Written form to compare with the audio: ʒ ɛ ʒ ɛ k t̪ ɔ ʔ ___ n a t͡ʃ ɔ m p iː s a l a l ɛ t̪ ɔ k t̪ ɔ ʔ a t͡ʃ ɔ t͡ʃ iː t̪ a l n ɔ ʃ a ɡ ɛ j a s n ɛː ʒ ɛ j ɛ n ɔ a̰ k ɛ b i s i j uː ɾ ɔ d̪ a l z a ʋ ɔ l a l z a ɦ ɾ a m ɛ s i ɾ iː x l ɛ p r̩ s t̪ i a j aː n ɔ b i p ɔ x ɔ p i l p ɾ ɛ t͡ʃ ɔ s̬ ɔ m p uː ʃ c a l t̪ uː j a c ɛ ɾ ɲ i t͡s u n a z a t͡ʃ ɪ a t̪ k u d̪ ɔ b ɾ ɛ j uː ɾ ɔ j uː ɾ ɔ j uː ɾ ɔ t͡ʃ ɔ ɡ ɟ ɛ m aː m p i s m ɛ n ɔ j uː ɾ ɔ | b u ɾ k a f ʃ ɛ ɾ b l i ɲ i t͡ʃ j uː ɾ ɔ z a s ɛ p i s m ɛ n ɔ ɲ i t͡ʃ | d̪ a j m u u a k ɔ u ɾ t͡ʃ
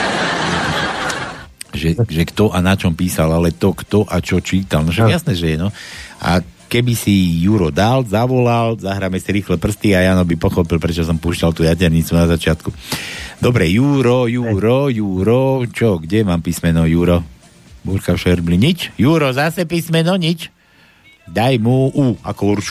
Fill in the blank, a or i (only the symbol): a